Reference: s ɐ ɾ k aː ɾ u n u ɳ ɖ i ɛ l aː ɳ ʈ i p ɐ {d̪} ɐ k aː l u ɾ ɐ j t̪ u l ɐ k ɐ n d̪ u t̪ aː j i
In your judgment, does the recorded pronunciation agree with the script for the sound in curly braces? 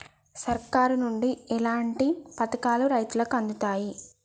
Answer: no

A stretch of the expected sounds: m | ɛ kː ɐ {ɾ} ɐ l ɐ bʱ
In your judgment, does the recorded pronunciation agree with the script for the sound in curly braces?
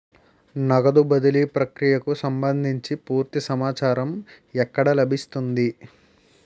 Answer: no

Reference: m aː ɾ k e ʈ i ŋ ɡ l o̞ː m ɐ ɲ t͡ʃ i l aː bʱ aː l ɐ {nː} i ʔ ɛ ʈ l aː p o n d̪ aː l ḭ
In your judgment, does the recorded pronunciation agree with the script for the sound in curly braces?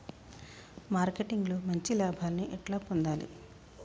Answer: no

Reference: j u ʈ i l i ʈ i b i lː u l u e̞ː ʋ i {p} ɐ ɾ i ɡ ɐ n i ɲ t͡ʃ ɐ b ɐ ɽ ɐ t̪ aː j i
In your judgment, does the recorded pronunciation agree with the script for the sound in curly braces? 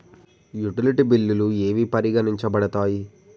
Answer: yes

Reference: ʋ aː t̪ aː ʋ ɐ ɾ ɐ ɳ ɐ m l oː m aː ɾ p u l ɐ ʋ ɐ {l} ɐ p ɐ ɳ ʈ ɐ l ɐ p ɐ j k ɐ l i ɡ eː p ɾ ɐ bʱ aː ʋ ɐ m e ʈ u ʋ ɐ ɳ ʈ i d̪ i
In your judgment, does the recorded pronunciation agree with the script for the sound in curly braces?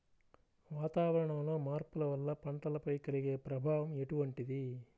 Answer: no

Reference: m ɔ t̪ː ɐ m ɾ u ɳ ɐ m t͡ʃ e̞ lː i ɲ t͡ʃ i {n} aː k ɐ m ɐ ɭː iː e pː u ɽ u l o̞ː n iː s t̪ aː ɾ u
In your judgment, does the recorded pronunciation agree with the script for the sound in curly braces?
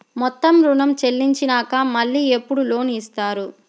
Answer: yes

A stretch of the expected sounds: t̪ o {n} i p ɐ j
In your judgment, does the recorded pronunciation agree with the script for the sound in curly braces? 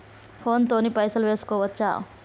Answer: yes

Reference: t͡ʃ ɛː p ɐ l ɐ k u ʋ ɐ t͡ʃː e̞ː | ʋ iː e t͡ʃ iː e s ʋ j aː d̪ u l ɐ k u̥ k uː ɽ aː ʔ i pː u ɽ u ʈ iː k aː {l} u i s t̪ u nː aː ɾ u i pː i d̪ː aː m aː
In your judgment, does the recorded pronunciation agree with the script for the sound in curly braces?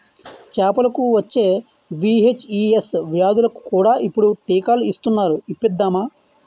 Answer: yes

